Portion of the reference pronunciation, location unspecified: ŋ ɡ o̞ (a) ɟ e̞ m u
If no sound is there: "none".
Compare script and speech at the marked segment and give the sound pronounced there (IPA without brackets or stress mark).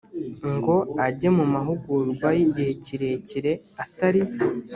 a